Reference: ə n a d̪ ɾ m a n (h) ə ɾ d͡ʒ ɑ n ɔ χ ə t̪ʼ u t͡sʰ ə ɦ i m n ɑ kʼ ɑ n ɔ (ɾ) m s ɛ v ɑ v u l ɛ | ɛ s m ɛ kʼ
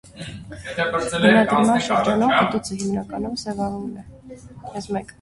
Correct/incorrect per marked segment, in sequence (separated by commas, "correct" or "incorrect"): incorrect, incorrect